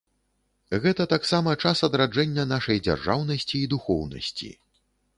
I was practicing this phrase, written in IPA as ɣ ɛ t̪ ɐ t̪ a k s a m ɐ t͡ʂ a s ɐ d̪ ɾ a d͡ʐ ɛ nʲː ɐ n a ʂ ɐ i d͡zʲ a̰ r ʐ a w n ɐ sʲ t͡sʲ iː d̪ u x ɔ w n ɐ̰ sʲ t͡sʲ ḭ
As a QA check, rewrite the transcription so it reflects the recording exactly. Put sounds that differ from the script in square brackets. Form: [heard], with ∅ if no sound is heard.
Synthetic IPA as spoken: ɣ ɛ t̪ ɐ t̪ a k s a m ɐ t͡ʂ a s ɐ d̪ ɾ a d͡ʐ ɛ nʲː ɐ n a ʂ ɐ [j] d͡zʲ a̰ r ʐ a w n ɐ sʲ t͡sʲ iː d̪ u x ɔ w n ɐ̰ sʲ t͡sʲ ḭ